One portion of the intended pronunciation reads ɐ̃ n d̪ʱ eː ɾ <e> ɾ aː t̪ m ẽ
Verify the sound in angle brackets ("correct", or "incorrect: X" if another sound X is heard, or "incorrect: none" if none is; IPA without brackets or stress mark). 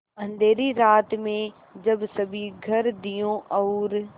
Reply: incorrect: i